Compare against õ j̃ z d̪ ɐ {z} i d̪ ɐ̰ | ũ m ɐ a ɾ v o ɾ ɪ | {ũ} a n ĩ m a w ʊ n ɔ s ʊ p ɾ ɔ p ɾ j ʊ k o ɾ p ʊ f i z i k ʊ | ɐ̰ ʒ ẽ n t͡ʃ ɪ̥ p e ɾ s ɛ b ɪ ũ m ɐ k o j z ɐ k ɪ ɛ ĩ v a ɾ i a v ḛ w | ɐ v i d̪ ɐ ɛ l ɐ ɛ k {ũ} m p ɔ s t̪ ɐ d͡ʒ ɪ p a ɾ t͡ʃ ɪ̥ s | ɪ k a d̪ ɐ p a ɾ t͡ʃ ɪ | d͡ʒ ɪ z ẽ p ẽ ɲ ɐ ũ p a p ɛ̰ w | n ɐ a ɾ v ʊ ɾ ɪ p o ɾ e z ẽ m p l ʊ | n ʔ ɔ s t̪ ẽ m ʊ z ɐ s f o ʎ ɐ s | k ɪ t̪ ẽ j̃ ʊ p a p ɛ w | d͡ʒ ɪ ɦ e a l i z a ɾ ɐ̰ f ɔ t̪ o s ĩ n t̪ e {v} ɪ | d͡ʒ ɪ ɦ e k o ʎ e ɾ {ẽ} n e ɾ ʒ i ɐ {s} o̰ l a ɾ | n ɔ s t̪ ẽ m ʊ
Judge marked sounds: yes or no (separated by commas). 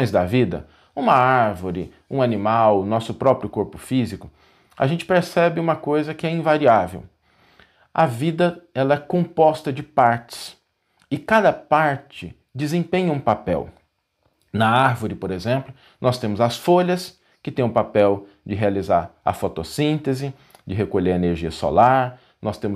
no, yes, no, no, no, yes